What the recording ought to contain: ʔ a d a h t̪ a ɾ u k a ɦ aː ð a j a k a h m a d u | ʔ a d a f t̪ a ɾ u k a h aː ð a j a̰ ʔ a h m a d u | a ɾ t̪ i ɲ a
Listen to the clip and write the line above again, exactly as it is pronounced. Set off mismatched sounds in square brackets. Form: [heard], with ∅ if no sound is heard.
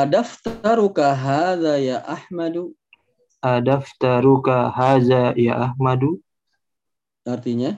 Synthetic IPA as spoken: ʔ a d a [f] t̪ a ɾ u k a ɦ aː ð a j a [ʔ] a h m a d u | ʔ a d a f t̪ a ɾ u k a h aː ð a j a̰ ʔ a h m a d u | a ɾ t̪ i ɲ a